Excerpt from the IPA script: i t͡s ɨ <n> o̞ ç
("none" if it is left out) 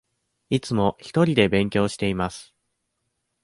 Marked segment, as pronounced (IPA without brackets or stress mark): m